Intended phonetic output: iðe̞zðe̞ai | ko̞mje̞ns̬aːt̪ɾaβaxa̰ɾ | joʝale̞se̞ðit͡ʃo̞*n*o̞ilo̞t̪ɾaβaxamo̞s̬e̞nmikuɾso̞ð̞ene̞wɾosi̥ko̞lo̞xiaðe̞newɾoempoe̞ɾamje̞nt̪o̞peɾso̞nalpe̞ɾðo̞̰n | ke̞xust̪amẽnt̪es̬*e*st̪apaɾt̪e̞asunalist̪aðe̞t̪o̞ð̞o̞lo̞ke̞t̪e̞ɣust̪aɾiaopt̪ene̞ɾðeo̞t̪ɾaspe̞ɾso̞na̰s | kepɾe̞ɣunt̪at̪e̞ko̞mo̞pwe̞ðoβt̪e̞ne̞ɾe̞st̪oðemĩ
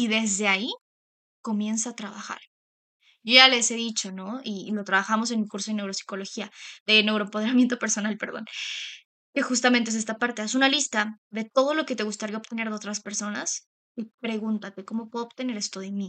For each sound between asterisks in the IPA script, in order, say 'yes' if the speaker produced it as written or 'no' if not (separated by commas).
yes, yes